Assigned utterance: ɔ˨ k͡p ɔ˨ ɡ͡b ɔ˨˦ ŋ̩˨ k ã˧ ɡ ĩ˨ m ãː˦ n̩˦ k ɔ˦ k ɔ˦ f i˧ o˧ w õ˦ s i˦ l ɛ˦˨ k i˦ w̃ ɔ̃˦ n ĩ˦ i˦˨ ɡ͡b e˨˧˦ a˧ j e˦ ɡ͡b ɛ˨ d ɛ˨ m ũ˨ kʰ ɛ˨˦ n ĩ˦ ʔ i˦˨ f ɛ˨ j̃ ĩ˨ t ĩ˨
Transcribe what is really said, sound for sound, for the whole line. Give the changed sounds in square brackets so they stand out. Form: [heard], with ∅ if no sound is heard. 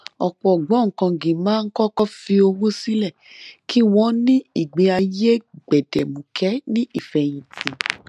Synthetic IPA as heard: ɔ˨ k͡p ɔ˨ ɡ͡b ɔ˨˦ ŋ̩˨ k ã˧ ɡ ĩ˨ m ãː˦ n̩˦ k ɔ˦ k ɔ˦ f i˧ o˧ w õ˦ s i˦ l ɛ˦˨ k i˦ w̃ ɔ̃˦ n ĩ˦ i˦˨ ɡ͡b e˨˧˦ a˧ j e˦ ɡ͡b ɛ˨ d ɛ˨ m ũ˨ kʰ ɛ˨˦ n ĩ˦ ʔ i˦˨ f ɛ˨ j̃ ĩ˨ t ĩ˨